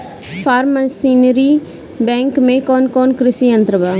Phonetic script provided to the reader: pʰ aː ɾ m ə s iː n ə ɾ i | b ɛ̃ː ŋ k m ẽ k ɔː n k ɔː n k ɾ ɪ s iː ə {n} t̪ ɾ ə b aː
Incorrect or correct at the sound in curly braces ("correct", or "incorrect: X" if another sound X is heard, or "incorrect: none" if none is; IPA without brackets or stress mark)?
correct